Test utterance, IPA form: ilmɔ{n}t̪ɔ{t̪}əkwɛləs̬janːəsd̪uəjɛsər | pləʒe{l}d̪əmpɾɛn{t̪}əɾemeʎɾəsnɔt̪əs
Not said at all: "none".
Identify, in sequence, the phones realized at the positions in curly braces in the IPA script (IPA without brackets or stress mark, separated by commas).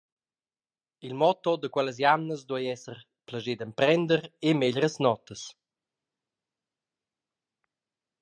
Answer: none, d̪, none, d̪